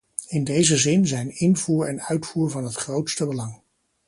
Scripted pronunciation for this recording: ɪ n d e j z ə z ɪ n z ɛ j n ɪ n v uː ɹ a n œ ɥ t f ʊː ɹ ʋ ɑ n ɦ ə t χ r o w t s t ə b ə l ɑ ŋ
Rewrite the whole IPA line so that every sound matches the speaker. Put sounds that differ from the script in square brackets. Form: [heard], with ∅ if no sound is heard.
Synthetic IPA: ɪ n d e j z ə z ɪ n z ɛ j n ɪ n v uː ɹ [ɛ] n œ ɥ t f [uː] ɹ [v] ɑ n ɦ ə t χ r o w t s t ə b ə l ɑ ŋ